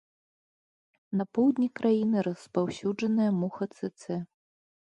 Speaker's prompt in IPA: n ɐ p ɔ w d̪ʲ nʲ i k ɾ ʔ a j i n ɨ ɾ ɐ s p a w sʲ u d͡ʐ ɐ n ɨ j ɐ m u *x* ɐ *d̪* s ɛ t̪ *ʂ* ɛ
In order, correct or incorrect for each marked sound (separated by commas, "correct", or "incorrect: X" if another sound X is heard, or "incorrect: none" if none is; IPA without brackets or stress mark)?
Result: correct, incorrect: t̪, incorrect: s